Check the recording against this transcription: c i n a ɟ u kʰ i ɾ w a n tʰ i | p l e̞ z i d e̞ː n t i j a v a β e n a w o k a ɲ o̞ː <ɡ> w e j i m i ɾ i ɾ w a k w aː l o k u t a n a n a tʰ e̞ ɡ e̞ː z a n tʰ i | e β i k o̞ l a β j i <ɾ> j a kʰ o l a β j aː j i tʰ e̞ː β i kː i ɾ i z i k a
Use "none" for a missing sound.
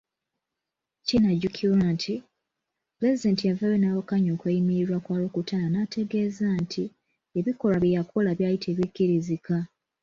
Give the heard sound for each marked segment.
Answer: k, none

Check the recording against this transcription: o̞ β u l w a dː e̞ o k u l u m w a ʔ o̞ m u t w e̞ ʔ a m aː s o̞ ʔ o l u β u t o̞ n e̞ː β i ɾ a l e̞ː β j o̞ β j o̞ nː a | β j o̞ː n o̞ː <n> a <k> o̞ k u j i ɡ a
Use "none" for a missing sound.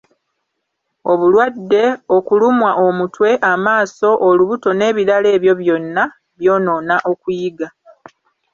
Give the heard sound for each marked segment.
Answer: n, ʔ

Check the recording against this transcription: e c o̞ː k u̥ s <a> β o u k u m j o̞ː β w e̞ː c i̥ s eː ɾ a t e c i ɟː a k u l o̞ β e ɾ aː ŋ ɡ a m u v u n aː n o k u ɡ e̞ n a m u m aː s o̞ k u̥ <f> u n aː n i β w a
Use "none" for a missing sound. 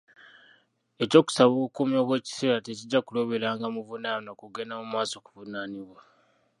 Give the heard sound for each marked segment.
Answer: a, v

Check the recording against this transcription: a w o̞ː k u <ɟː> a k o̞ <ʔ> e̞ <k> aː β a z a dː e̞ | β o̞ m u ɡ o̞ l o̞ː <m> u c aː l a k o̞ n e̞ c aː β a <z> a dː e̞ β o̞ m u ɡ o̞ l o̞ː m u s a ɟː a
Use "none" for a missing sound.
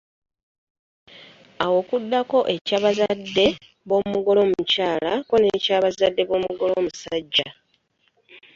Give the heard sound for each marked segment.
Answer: dː, ʔ, c, m, z

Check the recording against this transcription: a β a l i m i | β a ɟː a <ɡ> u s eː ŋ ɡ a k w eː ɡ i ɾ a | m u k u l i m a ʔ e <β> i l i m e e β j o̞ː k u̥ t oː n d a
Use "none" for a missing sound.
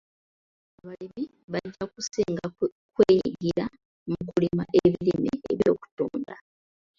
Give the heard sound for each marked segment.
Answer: k, β

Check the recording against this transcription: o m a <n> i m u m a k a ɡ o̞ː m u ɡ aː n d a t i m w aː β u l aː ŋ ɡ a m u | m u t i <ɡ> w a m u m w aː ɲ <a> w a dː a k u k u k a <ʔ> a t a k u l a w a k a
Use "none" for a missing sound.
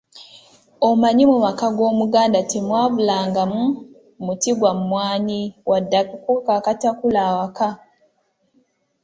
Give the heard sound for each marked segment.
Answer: ɲ, ɡ, i, k

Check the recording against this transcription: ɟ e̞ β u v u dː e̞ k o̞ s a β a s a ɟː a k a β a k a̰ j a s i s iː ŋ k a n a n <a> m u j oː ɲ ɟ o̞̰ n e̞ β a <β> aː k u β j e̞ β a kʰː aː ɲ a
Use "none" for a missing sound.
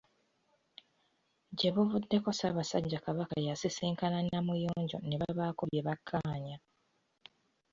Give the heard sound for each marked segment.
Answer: a, β

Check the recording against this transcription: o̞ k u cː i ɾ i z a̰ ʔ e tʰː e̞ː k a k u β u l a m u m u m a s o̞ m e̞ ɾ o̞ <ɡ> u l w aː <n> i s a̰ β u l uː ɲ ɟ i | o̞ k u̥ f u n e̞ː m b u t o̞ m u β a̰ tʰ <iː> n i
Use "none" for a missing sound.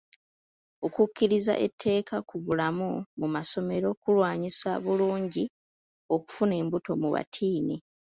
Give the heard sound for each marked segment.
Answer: k, ɲ, iː

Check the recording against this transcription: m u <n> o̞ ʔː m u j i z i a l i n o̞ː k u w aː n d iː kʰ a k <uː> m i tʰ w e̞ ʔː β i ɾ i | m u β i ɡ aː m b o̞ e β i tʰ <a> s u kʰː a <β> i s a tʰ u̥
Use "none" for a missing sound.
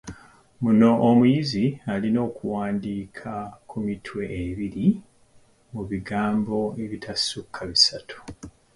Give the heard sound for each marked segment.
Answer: n, u, a, β

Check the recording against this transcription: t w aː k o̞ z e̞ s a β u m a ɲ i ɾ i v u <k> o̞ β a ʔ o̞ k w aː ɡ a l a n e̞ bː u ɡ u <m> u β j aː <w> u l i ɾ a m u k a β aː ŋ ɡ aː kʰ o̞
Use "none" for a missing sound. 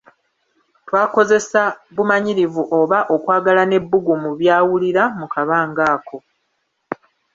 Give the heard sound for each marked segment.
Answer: ʔ, m, w

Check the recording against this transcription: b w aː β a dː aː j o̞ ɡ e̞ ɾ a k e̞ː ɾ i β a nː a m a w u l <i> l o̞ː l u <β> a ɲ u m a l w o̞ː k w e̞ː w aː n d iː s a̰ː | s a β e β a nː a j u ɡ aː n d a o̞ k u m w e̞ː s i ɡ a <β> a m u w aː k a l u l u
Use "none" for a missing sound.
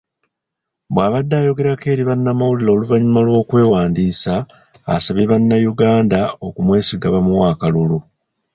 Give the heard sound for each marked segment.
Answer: i, v, β

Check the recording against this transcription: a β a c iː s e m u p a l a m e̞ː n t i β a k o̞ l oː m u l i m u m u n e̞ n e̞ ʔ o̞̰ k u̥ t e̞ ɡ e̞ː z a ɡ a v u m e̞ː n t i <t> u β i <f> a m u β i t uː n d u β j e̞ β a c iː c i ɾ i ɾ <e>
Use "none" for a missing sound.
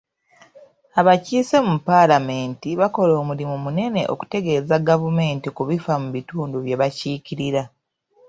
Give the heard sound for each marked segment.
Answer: k, f, a

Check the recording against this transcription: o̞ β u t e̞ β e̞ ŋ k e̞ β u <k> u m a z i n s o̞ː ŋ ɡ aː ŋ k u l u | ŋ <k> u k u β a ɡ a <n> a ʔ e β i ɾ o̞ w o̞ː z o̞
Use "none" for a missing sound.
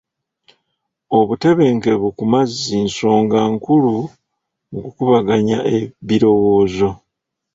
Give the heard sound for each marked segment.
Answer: k, ɡ, ɲ

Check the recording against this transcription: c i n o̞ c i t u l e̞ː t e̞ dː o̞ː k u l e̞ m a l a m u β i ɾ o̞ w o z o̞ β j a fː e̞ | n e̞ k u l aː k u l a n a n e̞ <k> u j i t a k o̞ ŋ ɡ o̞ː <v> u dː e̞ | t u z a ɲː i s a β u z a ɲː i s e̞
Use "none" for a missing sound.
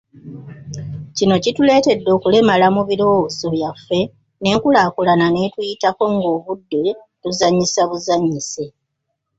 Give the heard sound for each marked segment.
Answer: t, β

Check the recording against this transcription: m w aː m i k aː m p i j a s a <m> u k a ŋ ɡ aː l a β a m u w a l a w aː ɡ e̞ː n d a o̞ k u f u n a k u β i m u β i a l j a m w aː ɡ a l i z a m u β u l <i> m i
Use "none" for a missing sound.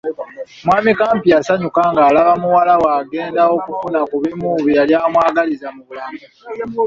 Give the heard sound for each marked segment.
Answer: ɲ, a

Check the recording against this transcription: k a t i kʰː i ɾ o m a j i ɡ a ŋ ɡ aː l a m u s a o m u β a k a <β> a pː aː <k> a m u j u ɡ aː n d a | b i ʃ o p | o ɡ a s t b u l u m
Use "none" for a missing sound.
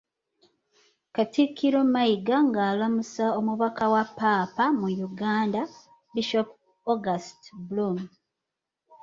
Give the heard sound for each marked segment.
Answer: w, p

